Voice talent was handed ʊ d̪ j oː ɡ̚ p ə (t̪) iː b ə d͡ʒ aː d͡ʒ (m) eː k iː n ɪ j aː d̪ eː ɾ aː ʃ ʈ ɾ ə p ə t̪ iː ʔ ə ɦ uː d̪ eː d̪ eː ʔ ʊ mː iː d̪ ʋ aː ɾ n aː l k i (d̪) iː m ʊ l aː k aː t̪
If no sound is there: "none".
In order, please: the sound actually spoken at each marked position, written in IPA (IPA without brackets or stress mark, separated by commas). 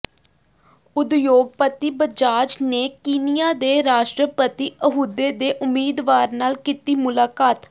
t̪, n, t̪